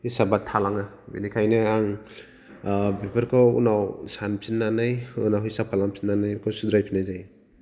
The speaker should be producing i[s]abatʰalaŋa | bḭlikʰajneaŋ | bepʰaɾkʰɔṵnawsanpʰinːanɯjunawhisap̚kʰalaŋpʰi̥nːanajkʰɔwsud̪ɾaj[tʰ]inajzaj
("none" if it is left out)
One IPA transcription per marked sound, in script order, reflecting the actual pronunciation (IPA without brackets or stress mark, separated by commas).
s, pʰ